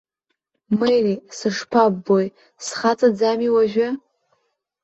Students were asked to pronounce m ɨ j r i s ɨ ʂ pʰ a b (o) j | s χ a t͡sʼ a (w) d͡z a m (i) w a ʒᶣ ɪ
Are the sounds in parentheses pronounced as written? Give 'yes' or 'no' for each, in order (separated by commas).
yes, no, yes